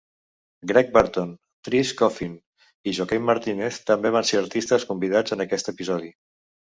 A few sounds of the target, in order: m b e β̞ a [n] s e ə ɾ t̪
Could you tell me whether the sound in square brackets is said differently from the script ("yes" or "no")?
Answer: no